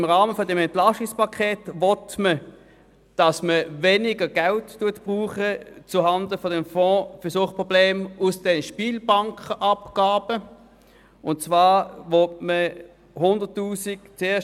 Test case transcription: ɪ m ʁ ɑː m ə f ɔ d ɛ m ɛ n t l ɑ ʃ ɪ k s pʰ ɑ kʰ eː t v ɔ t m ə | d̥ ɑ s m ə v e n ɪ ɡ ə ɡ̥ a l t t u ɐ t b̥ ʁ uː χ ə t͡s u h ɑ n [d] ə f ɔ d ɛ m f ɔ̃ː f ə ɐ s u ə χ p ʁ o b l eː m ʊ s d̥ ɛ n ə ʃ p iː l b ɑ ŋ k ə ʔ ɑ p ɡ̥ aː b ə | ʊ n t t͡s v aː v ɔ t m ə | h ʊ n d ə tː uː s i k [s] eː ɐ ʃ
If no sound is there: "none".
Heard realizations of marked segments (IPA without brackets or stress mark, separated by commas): d, t͡s